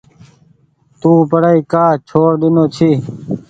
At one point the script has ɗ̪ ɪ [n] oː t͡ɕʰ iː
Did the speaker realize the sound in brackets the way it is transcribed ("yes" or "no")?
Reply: yes